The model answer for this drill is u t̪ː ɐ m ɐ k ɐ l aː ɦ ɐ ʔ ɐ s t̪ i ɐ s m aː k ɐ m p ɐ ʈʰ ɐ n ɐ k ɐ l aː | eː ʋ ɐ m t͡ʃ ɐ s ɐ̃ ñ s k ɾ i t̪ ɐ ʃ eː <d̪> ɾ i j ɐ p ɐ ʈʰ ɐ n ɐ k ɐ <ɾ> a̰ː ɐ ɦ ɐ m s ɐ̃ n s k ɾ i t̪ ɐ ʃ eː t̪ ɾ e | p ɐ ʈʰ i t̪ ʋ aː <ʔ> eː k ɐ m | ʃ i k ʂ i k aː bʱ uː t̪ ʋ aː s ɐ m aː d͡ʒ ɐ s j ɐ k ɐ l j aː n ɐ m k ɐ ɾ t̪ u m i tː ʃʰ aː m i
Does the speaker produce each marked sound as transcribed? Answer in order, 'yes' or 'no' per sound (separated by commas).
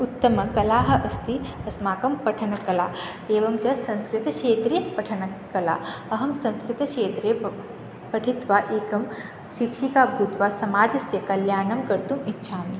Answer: no, no, yes